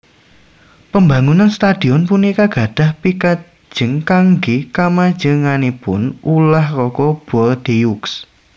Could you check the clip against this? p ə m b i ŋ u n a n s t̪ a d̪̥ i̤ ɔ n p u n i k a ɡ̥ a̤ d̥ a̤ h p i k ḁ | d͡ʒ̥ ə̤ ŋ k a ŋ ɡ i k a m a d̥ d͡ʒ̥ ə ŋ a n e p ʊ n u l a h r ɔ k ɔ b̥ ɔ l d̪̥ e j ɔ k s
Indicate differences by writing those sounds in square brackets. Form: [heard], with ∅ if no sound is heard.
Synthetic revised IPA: p ə m b [a] ŋ u n a n s t̪ a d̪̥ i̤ ɔ n p u n i k a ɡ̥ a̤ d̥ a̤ h p i k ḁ | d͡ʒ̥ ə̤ ŋ k a ŋ ɡ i k a m a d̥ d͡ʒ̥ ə ŋ a n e p ʊ n u l a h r ɔ k ɔ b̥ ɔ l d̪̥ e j [u] k s